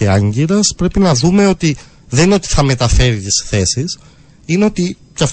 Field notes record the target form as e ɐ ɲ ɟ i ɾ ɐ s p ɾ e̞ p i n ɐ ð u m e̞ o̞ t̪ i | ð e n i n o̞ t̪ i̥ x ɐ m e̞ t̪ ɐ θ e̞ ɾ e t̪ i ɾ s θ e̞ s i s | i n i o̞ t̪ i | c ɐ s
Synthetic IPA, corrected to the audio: e ɐ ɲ ɟ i ɾ ɐ s p ɾ e̞ p i n ɐ ð u m e̞ o̞ t̪ i | ð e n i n o̞ t̪ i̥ θ ɐ m e̞ t̪ ɐ f e̞ ɾ i t̪ i s θ e̞ s i s | i n e o̞ t̪ i | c ɐ f